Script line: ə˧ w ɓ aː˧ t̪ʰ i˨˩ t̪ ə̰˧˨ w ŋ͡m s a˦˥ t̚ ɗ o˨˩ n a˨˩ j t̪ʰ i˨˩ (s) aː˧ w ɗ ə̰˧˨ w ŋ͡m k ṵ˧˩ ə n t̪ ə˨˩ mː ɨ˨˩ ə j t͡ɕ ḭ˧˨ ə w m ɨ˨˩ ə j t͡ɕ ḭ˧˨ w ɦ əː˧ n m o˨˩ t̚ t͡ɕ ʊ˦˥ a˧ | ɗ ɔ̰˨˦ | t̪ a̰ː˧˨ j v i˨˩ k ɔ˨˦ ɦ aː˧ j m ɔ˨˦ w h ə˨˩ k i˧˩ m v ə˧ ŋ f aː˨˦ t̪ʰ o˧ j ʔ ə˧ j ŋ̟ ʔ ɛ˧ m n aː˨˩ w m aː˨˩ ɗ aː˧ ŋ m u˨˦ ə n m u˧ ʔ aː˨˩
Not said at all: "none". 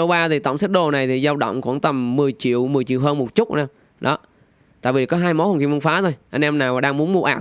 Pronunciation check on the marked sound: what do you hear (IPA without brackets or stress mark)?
z